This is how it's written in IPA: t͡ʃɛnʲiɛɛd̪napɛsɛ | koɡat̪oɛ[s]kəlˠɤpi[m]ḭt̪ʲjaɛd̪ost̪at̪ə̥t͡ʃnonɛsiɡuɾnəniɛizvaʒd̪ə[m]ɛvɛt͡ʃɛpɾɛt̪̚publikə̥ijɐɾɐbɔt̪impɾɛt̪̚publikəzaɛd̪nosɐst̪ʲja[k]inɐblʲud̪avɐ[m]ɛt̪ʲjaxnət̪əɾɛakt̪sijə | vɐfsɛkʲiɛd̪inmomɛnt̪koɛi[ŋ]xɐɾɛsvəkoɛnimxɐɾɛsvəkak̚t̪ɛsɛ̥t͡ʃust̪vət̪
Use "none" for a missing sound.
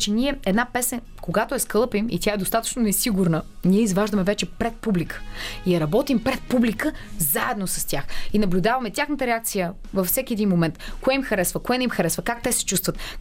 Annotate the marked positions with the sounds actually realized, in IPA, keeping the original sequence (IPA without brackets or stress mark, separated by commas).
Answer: s, m, m, x, m, m